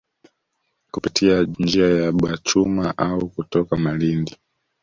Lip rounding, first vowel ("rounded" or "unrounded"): rounded